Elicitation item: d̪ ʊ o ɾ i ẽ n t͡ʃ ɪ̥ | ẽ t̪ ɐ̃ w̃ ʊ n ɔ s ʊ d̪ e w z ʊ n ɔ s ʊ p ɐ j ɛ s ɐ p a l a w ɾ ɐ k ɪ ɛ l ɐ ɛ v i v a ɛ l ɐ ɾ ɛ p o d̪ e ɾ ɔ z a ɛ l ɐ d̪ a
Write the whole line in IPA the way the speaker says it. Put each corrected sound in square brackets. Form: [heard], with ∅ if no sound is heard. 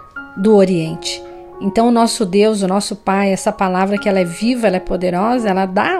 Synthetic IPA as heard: d̪ ʊ o ɾ i ẽ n t͡ʃ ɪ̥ | ẽ t̪ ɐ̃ w̃ ʊ n ɔ s ʊ d̪ e w z ʊ n ɔ s ʊ p [a] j ɛ s ɐ p a l a [v] ɾ ɐ k ɪ ɛ l ɐ ɛ v i v [ɐ] ɛ l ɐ [∅] ɛ p o d̪ e ɾ ɔ z [ɐ] ɛ l ɐ d̪ a